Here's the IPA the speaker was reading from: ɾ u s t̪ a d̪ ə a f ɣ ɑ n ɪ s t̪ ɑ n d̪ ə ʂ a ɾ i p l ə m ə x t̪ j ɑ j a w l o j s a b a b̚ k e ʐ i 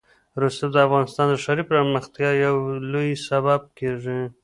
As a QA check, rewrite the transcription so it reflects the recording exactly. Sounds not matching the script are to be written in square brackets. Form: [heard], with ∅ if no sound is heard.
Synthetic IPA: ɾ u s t̪ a d̪ ə a f ɣ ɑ n ɪ s t̪ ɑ n d̪ ə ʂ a ɾ i p [ɾ] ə m ə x t̪ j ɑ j a w l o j s a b a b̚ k e ʐ i